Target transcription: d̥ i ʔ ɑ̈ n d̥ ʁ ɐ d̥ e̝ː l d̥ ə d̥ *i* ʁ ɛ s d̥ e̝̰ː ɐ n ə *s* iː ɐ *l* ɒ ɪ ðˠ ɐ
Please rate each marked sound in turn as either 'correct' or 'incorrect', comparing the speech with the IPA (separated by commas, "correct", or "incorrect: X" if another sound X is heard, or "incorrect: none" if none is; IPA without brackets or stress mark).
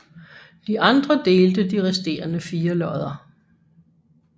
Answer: correct, incorrect: f, correct